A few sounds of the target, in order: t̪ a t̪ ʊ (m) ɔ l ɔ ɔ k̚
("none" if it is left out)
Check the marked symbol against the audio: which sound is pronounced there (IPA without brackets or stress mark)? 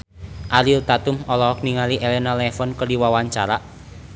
m